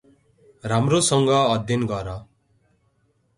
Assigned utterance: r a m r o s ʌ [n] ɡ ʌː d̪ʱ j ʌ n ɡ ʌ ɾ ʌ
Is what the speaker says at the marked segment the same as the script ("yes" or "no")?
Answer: no